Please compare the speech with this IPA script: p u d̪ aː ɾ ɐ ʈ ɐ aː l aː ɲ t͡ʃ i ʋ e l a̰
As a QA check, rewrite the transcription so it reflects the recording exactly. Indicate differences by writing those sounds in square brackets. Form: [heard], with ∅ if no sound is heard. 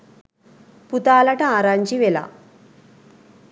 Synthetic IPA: p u [t̪] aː [l] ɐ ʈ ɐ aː [ɾ] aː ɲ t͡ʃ i ʋ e l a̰